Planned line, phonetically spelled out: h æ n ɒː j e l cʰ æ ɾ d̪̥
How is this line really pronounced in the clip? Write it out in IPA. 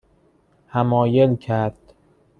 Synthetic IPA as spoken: h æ m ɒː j e l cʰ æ ɾ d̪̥

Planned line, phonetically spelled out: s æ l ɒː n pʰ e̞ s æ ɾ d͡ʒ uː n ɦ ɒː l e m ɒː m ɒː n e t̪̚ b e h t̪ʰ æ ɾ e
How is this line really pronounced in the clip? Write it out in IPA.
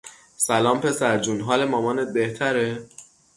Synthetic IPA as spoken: s æ l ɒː m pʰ e̞ s æ ɾ d͡ʒ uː n ɦ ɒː l e m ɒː m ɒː n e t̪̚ b e h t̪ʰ æ ɾ e

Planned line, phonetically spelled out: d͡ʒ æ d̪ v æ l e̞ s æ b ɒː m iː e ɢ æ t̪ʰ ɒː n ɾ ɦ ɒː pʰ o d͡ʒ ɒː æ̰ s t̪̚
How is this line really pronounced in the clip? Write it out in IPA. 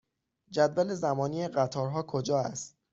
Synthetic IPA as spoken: d͡ʒ æ d̪ v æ l e̞ z æ m ɒː n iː e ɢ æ t̪ʰ ɒː ɾ ɦ ɒː kʰ o d͡ʒ ɒː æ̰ s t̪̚

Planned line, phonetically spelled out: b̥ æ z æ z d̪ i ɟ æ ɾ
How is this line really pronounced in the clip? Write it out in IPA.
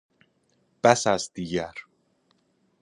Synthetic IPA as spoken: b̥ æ s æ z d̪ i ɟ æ ɾ

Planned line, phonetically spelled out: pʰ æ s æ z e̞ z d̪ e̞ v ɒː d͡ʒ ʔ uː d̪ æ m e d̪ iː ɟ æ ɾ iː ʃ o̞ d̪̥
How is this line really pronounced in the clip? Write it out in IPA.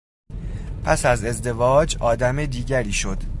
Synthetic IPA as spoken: pʰ æ s æ z e̞ z d̪ e̞ v ɒː d͡ʒ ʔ ɒː d̪ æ m e d̪ iː ɟ æ ɾ iː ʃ o̞ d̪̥

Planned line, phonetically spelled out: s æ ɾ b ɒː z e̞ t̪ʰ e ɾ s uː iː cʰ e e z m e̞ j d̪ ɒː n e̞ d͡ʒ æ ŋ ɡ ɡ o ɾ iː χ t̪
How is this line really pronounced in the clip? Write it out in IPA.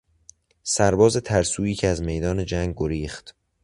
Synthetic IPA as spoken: s æ ɾ b ɒː z e̞ t̪ʰ æ ɾ s uː iː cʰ e æ z m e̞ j d̪ ɒː n e̞ d͡ʒ æ ŋ ɡ ɡ o ɾ iː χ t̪

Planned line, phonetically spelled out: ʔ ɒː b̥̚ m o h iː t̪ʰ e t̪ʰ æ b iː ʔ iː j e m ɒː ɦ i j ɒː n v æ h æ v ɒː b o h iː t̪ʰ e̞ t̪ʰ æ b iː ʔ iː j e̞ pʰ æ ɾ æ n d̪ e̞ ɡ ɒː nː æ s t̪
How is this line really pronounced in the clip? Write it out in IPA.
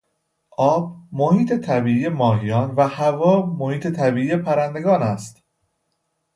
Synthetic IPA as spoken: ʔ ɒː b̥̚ m o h iː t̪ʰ e t̪ʰ æ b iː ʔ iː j e m ɒː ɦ i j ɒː n v æ h æ v ɒː m o h iː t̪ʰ e̞ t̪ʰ æ b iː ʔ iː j e̞ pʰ æ ɾ æ n d̪ e̞ ɡ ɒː n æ s t̪

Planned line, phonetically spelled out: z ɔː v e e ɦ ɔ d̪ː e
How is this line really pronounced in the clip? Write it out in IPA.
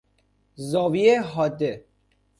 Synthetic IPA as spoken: z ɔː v i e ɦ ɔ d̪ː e

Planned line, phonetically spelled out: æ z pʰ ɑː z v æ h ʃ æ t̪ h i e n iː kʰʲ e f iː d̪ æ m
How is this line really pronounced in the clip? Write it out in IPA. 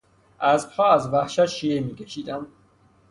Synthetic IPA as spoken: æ z pʰ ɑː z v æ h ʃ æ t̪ ʃ i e m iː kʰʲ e ʃ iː d̪ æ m

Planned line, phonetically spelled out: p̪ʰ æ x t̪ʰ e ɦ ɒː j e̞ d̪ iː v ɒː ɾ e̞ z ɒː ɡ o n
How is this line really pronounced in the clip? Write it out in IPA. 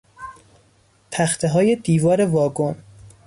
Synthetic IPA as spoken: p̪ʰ æ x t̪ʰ e ɦ ɒː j e̞ d̪ iː v ɒː ɾ e̞ v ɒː ɡ o n

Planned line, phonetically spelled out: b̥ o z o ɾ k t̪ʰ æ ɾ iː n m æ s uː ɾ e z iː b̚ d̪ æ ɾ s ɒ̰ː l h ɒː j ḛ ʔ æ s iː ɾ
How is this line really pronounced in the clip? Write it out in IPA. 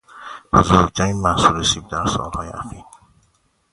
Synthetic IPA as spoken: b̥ o z o ɾ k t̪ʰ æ ɾ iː n m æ s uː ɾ e s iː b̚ d̪ æ ɾ s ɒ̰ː l h ɒː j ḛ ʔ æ x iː ɾ

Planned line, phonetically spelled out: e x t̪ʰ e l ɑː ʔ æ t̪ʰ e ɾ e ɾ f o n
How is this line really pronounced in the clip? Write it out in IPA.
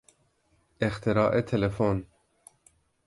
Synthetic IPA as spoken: e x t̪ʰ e ɾ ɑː ʔ e t̪ʰ e l e f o n

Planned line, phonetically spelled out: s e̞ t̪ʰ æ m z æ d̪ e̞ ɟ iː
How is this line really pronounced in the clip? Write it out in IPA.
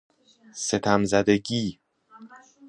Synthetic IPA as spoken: s e̞ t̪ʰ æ m z æ d̪ e̞ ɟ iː

